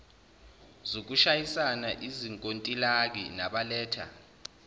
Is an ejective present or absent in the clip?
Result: present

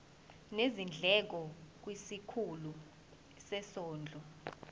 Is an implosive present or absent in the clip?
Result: absent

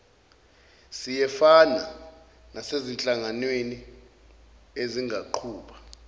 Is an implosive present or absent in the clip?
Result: present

